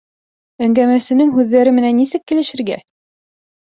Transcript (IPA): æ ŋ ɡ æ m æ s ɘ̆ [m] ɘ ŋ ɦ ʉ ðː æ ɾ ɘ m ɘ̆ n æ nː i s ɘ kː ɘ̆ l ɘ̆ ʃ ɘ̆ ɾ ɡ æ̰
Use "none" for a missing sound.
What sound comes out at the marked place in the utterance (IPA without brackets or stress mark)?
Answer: n